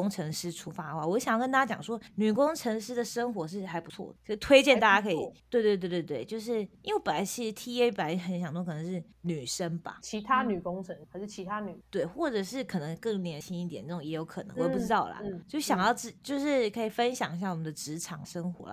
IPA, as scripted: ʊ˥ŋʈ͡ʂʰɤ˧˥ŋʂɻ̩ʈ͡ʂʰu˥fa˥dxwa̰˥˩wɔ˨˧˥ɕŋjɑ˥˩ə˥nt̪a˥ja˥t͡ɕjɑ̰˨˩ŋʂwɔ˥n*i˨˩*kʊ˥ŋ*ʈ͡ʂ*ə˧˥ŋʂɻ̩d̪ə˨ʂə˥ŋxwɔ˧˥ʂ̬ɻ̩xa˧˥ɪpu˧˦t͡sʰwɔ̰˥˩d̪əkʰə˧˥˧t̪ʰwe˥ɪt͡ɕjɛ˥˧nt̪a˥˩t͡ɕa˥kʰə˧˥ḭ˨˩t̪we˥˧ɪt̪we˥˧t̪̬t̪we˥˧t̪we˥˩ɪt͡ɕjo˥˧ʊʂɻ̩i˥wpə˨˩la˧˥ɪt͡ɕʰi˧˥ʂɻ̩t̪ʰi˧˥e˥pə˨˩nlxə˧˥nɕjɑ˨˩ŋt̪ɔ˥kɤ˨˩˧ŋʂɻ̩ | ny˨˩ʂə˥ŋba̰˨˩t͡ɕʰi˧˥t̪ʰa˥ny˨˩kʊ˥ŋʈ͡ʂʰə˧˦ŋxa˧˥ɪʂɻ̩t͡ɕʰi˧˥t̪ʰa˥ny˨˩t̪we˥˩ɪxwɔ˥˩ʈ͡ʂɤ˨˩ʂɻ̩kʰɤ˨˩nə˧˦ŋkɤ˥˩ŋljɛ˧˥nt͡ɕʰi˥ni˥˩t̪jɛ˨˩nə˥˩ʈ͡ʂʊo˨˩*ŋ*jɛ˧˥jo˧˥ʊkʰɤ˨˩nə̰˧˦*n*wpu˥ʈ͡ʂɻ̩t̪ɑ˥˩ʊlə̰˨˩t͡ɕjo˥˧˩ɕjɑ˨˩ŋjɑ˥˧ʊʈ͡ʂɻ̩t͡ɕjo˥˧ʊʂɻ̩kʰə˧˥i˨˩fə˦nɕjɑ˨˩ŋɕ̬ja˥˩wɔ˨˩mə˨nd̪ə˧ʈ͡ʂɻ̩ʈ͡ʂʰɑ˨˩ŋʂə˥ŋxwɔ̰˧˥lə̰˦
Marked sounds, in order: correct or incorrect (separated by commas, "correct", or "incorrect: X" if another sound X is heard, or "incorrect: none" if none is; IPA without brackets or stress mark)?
incorrect: y˨˩, incorrect: ʈ͡ʂʰ, correct, incorrect: ŋ